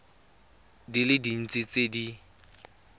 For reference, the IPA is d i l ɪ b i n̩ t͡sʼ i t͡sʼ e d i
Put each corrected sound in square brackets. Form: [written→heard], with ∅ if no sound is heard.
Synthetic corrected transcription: d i l ɪ [b→d] i n̩ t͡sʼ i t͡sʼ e d i